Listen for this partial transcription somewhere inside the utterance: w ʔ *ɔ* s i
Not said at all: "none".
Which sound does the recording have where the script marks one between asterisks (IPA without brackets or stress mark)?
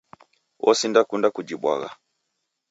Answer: ɔ